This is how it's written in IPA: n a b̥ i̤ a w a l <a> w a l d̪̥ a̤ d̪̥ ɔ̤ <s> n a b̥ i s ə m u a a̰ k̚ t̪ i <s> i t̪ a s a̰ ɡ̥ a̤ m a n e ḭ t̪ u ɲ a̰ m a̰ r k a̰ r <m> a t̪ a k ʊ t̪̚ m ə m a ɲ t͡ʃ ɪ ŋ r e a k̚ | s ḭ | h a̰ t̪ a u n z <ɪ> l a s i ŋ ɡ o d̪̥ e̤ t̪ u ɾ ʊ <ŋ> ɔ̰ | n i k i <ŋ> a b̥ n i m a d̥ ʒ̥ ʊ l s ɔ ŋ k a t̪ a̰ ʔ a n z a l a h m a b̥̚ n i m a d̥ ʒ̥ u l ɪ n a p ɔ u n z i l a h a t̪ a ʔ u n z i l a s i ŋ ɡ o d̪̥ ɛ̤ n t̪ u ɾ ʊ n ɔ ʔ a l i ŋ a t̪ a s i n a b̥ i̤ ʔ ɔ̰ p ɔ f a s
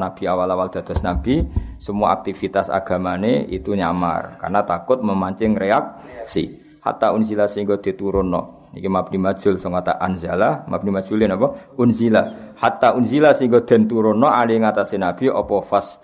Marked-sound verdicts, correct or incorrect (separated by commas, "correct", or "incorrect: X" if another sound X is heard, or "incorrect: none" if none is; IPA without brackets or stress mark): correct, correct, incorrect: f, incorrect: n, incorrect: i, incorrect: n, incorrect: m